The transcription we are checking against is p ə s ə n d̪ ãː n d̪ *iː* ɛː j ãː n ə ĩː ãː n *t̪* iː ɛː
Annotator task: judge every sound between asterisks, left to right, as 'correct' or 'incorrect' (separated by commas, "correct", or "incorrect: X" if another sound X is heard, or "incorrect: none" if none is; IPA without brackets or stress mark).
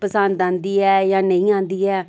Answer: correct, incorrect: d̪